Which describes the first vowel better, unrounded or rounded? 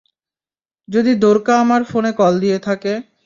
rounded